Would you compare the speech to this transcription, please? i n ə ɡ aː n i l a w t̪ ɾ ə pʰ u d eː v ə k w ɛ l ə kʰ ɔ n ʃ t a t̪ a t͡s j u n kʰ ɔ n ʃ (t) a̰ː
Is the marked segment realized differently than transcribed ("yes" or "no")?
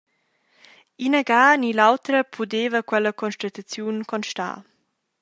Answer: no